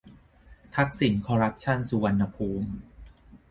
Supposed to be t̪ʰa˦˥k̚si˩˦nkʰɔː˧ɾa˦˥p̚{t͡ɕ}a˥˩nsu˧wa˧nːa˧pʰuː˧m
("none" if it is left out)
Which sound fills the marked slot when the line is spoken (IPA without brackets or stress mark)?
t͡ɕʰ